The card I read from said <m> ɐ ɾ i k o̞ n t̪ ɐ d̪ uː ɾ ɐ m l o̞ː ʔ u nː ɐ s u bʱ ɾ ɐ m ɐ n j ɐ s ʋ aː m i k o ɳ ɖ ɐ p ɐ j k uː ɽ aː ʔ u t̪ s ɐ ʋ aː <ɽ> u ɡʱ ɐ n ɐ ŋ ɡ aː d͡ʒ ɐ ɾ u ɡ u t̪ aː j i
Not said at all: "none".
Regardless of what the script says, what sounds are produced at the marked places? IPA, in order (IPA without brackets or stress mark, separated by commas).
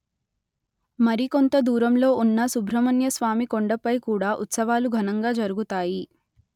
m, l